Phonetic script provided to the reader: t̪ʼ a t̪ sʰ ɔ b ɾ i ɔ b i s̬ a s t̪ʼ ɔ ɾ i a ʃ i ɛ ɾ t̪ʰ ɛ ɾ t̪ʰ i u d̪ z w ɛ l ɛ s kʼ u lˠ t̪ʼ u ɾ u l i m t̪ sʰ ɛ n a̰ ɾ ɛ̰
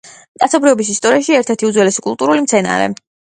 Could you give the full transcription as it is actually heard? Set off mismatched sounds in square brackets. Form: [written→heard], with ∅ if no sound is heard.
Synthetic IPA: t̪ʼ a t̪ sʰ ɔ b ɾ i ɔ b i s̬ [a→i] s t̪ʼ ɔ ɾ i a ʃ i ɛ ɾ t̪ʰ ɛ ɾ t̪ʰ i u d̪ z w ɛ l ɛ s kʼ u lˠ t̪ʼ u ɾ u l i m t̪ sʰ ɛ n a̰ ɾ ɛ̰